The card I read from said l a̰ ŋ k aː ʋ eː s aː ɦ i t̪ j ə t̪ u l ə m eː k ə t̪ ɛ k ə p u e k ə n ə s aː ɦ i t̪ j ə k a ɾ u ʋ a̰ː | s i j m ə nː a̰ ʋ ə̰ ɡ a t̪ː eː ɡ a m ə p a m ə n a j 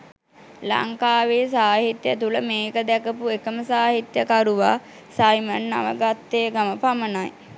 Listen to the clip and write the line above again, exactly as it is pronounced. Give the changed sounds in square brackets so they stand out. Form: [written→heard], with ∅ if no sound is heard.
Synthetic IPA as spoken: l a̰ ŋ k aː ʋ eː s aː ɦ i t̪ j ə t̪ u l ə m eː k ə [t̪→d̪] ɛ k ə p u e k ə [n→m] ə s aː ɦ i t̪ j ə k a ɾ u ʋ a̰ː | s [i→a] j m ə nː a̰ ʋ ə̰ ɡ a t̪ː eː ɡ a m ə p a m ə n a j